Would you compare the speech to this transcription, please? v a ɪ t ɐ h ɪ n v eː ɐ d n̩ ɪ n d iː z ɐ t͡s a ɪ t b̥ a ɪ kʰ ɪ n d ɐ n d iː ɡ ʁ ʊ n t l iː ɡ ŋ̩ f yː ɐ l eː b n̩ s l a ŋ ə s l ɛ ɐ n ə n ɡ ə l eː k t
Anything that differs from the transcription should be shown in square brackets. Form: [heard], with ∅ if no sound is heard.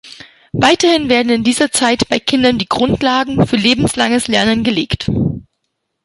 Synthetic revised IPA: v a ɪ t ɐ h ɪ n v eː ɐ d n̩ ɪ n d iː z ɐ t͡s a ɪ t b̥ a ɪ kʰ ɪ n d ɐ n d iː ɡ ʁ ʊ n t l [aː] ɡ ŋ̩ f yː ɐ l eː b [m̩] s l a ŋ ə s l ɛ ɐ n ə n ɡ ə l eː k t